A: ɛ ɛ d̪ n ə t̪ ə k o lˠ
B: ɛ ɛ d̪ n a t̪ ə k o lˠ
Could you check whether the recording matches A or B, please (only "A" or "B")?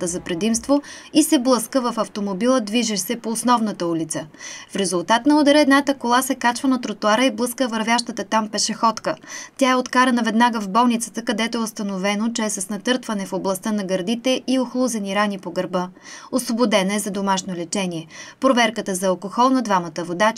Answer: B